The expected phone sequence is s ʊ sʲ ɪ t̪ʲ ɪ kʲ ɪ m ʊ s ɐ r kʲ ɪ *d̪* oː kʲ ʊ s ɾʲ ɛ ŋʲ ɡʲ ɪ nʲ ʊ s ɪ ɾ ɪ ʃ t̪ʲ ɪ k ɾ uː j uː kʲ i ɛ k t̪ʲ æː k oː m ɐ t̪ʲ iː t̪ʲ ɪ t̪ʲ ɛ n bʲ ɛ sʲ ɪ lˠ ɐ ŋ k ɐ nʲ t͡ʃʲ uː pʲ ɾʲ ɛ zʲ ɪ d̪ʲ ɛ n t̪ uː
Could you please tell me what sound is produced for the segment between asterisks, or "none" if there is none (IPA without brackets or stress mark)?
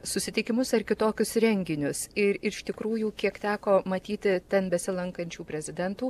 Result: t̪